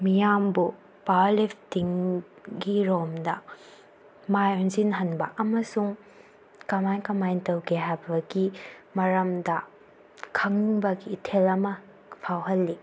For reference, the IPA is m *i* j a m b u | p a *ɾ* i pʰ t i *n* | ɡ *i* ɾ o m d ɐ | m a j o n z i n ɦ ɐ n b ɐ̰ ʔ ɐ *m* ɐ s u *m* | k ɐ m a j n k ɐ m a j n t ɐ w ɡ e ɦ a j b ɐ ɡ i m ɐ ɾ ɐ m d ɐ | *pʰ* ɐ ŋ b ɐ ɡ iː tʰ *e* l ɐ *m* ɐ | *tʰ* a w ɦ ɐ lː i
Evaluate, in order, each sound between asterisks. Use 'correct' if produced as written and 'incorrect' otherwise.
correct, incorrect: l, incorrect: ŋ, correct, correct, incorrect: ŋ, incorrect: kʰ, correct, correct, incorrect: pʰ

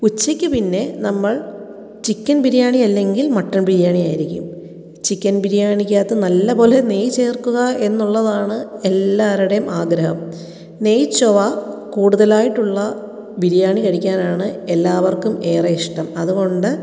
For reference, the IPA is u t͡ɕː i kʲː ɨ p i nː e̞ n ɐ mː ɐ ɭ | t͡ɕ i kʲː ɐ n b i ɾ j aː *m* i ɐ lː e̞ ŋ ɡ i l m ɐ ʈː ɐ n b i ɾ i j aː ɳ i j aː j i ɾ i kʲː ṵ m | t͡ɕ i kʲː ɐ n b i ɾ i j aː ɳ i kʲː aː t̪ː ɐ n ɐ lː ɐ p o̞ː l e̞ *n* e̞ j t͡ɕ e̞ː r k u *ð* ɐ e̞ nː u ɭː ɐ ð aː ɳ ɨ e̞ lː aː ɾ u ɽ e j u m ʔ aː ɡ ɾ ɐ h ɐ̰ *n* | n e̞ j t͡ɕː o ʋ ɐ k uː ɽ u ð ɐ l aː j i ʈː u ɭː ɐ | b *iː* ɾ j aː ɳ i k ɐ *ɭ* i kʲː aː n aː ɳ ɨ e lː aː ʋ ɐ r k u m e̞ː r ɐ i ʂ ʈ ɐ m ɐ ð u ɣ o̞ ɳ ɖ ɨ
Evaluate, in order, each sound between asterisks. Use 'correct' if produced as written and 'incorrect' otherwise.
incorrect: ɳ, correct, incorrect: ɣ, incorrect: m, incorrect: i, incorrect: ɽ

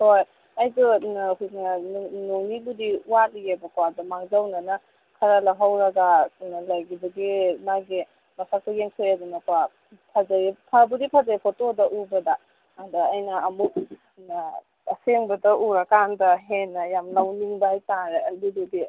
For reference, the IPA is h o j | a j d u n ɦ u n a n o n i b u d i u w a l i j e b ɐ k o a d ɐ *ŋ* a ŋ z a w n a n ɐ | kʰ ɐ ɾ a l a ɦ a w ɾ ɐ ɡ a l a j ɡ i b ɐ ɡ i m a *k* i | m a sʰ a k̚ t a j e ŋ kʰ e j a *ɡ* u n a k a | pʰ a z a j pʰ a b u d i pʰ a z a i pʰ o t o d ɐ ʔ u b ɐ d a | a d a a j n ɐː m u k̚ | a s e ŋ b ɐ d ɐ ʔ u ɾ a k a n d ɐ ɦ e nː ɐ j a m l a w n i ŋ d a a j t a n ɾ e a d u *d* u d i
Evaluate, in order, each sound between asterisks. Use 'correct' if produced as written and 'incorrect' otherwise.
incorrect: m, incorrect: ɡ, incorrect: d, correct

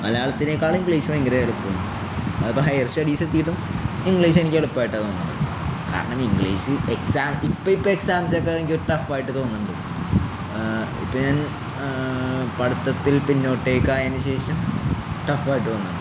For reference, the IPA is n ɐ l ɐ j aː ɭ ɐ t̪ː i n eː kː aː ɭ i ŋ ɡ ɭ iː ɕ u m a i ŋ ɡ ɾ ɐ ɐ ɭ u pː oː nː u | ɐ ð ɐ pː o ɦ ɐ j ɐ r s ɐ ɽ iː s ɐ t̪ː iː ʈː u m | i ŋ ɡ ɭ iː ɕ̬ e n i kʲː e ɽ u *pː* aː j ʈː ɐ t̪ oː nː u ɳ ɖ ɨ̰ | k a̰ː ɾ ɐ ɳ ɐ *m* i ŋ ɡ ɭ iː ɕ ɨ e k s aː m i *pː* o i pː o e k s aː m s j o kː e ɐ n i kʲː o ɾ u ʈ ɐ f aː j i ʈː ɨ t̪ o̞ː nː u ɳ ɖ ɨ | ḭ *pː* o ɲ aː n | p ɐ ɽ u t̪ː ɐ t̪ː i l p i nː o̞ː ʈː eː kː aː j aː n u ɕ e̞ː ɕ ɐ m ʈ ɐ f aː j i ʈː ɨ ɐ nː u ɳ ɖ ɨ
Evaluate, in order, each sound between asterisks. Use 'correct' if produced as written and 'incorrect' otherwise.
correct, correct, correct, correct

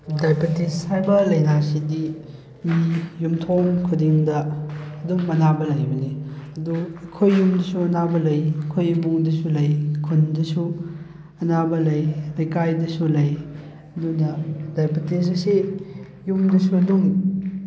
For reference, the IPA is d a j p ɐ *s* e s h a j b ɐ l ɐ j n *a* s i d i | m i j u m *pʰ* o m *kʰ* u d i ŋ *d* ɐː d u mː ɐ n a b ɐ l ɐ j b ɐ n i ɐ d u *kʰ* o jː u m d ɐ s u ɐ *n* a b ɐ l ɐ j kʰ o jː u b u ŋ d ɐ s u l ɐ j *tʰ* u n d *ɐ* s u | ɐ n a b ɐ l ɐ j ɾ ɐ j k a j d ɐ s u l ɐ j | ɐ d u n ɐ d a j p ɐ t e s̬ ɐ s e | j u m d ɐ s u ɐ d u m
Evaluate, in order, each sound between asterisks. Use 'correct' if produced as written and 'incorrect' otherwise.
incorrect: t, correct, incorrect: tʰ, correct, correct, correct, correct, incorrect: kʰ, correct

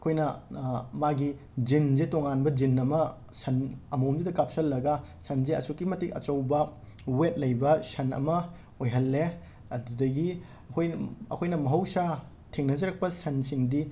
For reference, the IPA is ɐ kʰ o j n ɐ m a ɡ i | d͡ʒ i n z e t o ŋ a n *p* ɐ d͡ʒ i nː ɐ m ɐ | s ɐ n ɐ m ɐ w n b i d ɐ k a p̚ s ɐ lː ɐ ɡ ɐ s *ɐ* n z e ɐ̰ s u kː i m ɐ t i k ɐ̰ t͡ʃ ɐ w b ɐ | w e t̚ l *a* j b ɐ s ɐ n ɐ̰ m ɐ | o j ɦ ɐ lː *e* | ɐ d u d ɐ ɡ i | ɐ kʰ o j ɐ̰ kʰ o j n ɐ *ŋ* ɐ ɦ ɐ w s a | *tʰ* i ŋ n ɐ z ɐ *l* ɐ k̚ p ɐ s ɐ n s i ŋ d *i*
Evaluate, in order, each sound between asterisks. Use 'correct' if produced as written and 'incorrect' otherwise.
incorrect: b, correct, incorrect: ɐ, correct, incorrect: m, correct, incorrect: ɾ, correct

